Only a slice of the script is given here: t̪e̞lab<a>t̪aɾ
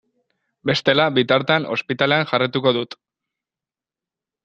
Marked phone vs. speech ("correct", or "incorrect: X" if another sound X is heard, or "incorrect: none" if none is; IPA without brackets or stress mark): incorrect: i